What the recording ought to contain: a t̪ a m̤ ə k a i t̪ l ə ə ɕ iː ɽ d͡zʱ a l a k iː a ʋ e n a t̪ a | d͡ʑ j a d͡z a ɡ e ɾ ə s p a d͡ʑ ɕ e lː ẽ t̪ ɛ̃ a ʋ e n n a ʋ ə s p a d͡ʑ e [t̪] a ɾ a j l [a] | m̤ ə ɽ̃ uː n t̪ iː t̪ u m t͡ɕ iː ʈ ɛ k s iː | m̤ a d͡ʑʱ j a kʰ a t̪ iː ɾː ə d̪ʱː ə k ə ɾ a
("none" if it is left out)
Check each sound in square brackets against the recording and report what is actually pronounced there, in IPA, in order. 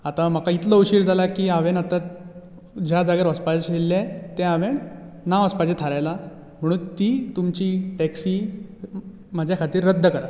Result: t̪ʰ, a

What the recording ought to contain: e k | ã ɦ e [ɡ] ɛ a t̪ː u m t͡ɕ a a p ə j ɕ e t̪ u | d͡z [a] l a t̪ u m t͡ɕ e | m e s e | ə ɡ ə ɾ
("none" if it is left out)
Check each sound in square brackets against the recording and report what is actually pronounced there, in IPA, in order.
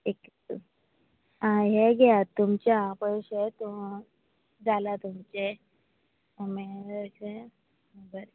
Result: ɡ, a

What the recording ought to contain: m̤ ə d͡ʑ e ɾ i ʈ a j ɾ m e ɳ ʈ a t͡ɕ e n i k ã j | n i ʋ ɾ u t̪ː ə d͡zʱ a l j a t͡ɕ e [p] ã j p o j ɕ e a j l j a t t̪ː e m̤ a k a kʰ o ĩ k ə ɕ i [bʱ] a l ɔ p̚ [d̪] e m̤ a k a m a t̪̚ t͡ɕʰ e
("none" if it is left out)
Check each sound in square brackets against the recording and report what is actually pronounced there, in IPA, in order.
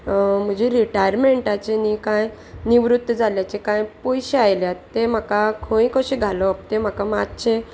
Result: k, ɡʱ, t̪

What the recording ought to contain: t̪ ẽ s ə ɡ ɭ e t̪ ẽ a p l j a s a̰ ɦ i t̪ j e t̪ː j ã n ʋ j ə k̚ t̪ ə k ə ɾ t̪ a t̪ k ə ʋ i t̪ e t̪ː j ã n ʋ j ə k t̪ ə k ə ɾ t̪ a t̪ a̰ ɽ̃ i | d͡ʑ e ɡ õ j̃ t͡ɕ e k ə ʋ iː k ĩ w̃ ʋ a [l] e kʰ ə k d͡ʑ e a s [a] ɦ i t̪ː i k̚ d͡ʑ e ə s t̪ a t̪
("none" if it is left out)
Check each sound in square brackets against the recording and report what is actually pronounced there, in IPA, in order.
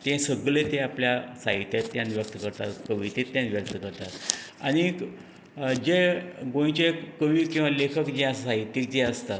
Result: l, a

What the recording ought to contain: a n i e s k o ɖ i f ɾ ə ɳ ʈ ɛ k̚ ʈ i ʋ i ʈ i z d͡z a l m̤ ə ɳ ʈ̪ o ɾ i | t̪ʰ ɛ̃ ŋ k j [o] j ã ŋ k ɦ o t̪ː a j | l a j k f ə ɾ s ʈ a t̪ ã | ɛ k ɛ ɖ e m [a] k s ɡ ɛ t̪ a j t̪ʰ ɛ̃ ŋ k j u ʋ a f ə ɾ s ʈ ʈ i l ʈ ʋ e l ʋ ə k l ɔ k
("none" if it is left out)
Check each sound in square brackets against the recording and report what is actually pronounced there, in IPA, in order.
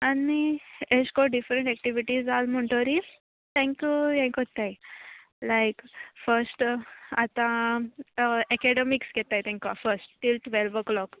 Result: u, i

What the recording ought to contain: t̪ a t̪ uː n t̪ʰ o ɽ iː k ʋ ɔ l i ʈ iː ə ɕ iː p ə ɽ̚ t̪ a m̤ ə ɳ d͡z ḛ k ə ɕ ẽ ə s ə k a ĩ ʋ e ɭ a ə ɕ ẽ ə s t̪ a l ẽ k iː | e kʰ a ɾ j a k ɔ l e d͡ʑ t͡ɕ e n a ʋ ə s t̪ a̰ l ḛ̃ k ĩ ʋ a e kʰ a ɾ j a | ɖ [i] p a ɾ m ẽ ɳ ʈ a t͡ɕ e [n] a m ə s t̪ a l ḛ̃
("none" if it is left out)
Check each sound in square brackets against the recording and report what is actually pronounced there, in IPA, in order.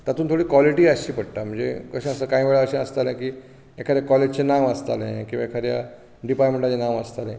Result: i, n

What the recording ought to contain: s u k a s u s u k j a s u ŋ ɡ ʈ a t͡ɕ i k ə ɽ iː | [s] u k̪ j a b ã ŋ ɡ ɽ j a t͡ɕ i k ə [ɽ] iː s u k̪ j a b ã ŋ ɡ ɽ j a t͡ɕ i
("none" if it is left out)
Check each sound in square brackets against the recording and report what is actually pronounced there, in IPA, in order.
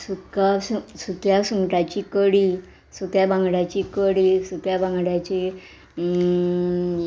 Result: s, ɽ

